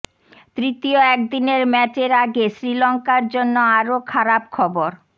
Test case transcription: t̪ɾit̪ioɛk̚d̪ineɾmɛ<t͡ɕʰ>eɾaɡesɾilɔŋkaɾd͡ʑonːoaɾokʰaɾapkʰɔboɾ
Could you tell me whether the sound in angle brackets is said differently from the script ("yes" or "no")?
yes